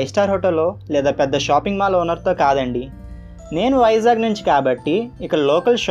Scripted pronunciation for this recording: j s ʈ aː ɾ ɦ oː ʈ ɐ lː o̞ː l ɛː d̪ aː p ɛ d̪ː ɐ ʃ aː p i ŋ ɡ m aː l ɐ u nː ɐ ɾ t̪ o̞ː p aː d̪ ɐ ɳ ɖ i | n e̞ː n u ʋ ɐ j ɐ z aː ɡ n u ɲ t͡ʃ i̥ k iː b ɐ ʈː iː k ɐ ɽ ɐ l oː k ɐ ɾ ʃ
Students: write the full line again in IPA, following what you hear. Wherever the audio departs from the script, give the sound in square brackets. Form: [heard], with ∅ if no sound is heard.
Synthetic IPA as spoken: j s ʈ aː ɾ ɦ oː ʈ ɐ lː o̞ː l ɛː d̪ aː p ɛ d̪ː ɐ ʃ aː p i ŋ ɡ m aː l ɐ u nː ɐ ɾ t̪ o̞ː [k] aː d̪ ɐ ɳ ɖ i | n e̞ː n u ʋ ɐ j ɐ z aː ɡ n u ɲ t͡ʃ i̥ k [aː] b ɐ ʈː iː k ɐ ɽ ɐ l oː k ɐ [l] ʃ